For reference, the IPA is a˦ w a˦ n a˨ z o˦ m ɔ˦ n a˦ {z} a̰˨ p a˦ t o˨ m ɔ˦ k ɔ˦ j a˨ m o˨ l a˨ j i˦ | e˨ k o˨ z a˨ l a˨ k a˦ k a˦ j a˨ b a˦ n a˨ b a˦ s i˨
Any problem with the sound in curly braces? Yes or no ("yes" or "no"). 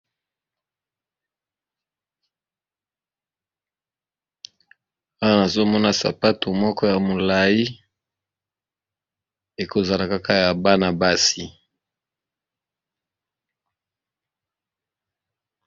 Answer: yes